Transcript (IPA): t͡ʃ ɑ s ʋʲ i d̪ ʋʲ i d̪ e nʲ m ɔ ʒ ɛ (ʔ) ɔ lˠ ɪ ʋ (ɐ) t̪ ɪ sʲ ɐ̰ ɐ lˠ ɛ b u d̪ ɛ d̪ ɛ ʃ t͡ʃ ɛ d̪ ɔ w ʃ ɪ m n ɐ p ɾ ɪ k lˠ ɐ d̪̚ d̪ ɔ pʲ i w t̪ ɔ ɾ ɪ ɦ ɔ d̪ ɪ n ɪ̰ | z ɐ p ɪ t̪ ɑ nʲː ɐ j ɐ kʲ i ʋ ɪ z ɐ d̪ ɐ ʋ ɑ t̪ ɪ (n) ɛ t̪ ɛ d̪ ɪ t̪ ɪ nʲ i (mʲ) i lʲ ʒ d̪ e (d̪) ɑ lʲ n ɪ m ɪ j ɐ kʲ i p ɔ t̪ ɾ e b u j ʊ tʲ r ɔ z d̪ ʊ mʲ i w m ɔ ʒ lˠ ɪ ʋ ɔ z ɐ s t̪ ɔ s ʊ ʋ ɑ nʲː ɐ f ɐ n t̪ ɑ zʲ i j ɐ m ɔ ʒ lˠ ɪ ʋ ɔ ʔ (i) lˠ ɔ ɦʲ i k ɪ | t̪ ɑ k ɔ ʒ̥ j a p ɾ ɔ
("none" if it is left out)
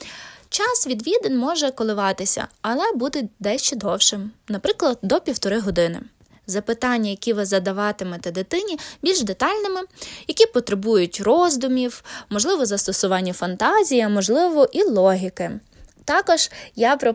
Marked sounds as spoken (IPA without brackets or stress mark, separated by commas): k, ɑ, m, bʲ, t̪, i